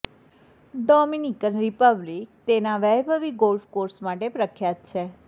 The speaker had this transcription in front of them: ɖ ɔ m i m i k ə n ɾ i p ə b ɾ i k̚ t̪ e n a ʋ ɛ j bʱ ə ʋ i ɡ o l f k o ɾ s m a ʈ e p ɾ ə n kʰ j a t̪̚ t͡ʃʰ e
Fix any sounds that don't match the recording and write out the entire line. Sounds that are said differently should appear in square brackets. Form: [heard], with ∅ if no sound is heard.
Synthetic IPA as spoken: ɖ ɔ m i [n] i k ə n ɾ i p ə b [l] i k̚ t̪ e n a ʋ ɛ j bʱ ə ʋ i ɡ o l f k o ɾ s m a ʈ e p ɾ ə [∅] kʰ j a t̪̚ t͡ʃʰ e